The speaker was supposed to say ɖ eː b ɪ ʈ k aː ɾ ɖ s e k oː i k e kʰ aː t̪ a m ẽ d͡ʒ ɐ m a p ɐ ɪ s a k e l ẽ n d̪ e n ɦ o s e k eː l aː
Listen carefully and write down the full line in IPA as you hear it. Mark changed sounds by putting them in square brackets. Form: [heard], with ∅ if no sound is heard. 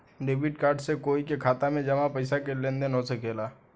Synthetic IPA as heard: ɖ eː b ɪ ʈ k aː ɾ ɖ s e k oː i k e kʰ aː t̪ a m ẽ d͡ʒ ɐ m a p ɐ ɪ s a k e l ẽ n d̪ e n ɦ o s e k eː l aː